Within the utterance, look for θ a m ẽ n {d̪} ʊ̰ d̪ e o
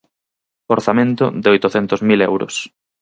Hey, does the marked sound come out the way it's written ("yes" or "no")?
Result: no